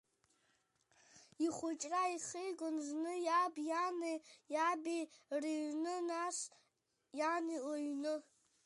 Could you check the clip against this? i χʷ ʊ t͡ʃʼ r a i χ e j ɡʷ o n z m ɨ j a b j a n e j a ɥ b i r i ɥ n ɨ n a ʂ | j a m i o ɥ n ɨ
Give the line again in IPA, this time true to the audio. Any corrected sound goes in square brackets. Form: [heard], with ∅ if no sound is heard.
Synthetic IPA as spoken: i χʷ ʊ t͡ʃʼ r a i χ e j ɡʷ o n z [n] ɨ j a b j a n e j a [∅] b i r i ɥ n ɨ n a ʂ | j a [n] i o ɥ n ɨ

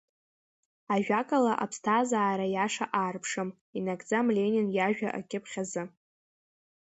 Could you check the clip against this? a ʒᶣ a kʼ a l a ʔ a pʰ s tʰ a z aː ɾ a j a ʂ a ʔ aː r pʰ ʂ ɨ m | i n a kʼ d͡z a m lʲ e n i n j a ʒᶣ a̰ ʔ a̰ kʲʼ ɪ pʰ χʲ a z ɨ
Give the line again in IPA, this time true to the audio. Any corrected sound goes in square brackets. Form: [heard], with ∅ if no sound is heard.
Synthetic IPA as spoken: a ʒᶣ a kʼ a l a ʔ a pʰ s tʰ a z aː ɾ a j a ʂ a ʔ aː r pʰ ʂ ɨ m | i n a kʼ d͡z a m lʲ e n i n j a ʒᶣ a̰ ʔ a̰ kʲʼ ɪ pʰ χʲ a z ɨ

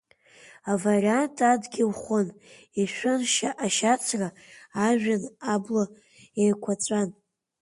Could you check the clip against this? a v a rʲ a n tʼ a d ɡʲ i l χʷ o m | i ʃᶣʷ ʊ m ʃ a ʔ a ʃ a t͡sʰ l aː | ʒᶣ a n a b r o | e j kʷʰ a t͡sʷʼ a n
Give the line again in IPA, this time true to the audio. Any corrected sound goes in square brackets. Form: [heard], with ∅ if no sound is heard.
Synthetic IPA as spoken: a v a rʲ a n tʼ a d ɡʲ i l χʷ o [n] | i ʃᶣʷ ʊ [n] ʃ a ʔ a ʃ a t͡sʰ [r] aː | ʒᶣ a n a b [l] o | e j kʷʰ a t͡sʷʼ a n

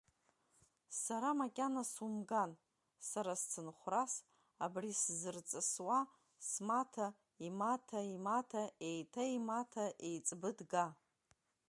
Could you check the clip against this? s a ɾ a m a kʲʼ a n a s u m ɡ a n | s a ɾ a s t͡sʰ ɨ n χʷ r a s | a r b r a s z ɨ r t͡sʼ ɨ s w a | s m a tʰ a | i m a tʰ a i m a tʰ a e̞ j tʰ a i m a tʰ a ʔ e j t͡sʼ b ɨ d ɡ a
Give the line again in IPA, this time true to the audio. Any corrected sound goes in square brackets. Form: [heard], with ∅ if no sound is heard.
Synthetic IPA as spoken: s a ɾ a m a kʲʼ a n a s u m ɡ a n | s a ɾ a s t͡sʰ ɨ n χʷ r a s | a [∅] b r [i] s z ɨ r t͡sʼ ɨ s w a | s m a tʰ a | i m a tʰ a i m a tʰ a e̞ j tʰ a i m a tʰ a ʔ e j t͡sʼ b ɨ d ɡ a

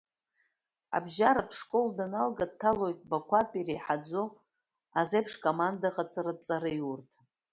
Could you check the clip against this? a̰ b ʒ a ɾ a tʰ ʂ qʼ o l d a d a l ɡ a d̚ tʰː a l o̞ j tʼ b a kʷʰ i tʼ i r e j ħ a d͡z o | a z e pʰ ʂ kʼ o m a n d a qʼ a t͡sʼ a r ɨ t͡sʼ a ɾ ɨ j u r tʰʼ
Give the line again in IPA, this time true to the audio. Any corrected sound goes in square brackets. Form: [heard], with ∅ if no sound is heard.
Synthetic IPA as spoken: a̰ b ʒ a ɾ a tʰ ʂ [kʼ] o l d a [n] a l ɡ a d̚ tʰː a l o̞ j tʼ b a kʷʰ [a] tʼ i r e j ħ a d͡z o | a z e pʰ ʂ kʼ o m a n d a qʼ a t͡sʼ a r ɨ t͡sʼ a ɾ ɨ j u r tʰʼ

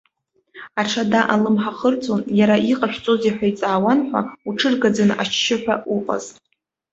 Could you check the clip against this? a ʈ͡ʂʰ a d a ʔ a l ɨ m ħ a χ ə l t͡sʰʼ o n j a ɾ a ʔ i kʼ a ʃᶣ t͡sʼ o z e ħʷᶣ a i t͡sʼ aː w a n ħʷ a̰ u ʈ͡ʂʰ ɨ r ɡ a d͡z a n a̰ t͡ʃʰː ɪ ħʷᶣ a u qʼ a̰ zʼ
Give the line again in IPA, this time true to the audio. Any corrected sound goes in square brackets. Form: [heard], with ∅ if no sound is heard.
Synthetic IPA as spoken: a ʈ͡ʂʰ a d a ʔ a l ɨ m ħ a χ ə [r] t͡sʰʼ o n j a ɾ a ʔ i [qʼ] a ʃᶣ t͡sʼ o z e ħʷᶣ a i t͡sʼ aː w a n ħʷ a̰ u ʈ͡ʂʰ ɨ r ɡ a d͡z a n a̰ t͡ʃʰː ɪ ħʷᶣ a u qʼ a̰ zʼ

